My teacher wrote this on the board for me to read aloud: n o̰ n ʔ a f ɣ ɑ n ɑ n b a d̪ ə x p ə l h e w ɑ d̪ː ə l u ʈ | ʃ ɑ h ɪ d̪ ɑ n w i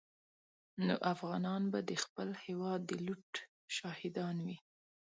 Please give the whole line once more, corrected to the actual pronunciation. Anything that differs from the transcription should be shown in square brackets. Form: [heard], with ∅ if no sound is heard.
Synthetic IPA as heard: n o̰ [∅] ʔ a f ɣ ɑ n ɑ n b a d̪ ə x p ə l h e w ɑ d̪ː ə l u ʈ | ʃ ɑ h ɪ d̪ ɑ n w i